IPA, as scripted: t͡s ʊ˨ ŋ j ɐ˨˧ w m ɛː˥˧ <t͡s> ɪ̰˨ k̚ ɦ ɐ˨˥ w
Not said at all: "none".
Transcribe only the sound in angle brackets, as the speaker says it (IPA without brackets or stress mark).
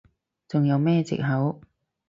t͡s